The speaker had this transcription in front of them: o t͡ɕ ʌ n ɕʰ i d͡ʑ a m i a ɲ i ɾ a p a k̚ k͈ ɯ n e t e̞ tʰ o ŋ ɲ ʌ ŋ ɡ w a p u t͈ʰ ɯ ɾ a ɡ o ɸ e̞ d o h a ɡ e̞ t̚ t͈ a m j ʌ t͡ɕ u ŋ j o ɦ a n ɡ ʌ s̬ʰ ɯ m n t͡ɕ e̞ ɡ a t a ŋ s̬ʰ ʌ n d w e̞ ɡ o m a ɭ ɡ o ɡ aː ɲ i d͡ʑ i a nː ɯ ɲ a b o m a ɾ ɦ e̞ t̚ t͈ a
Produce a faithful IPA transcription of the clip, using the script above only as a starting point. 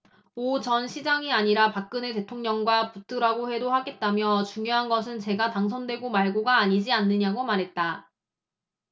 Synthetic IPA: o t͡ɕ ʌ n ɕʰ i d͡ʑ a ŋ i a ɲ i ɾ a p a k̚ k͈ ɯ n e t e̞ tʰ o ŋ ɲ ʌ ŋ ɡ w a p u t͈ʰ ɯ ɾ a ɡ o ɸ e̞ d o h a ɡ e̞ t̚ t͈ a m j ʌ t͡ɕ u ŋ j o ɦ a n ɡ ʌ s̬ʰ ɯ n t͡ɕ e̞ ɡ a t a ŋ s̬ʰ ʌ n d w e̞ ɡ o m a ɭ ɡ o ɡ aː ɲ i d͡ʑ i a nː ɯ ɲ a ɡ o m a ɾ ɦ e̞ t̚ t͈ a

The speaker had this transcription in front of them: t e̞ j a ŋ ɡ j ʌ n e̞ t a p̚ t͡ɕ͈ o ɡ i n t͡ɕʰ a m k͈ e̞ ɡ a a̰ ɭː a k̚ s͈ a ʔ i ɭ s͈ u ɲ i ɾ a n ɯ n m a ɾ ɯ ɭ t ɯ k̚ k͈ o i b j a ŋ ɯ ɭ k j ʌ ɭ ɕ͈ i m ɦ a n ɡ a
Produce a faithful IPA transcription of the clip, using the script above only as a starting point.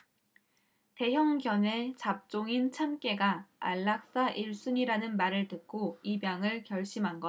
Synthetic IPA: t e̞ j ʌ ŋ ɡ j ʌ n e̞ t͡ɕ a p̚ t͡ɕ͈ o ŋ i n t͡ɕʰ a m k͈ e̞ ɡ a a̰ ɭː a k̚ s͈ a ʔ i ɭ s͈ u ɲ i ɾ a n ɯ n m a ɾ ɯ ɭ t ɯ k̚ k͈ o i b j a ŋ ɯ ɭ k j ʌ ɭ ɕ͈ i m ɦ a n ɡ ʌ

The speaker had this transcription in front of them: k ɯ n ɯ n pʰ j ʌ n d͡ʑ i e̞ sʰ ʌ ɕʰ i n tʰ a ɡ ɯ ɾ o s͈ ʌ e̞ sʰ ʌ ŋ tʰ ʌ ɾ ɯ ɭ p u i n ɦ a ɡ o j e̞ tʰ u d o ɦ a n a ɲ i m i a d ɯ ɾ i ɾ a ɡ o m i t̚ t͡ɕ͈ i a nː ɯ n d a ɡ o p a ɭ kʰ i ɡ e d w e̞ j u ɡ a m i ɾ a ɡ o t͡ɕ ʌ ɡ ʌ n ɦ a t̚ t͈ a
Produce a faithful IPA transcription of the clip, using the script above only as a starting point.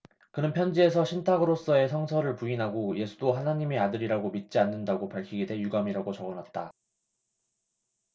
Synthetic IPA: k ɯ n ɯ n pʰ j ʌ n d͡ʑ i e̞ sʰ ʌ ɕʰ i n tʰ a ɡ ɯ ɾ o s͈ ʌ e̞ sʰ ʌ ŋ sʰ ʌ ɾ ɯ ɭ p u i n ɦ a ɡ o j e̞ sʰ u d o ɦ a n a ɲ i m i a d ɯ ɾ i ɾ a ɡ o m i t̚ t͡ɕ͈ i a nː ɯ n d a ɡ o p a ɭ kʰ i ɡ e d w e̞ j u ɡ a m i ɾ a ɡ o t͡ɕ ʌ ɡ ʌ n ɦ a t̚ t͈ a

